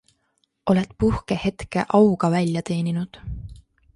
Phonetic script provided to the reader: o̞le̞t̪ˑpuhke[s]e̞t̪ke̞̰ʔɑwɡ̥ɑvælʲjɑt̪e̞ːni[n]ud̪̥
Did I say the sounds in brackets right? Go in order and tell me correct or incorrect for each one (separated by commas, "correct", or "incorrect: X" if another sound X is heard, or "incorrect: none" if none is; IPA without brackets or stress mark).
incorrect: h, correct